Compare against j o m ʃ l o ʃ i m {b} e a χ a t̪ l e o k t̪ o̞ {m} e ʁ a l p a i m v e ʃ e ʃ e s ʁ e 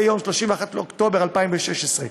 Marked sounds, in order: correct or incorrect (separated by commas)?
incorrect, incorrect